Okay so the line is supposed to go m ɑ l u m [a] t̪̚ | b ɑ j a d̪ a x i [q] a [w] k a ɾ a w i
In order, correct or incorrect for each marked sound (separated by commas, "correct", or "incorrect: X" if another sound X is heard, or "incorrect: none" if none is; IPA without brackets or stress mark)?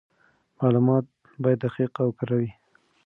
incorrect: ɑ, correct, correct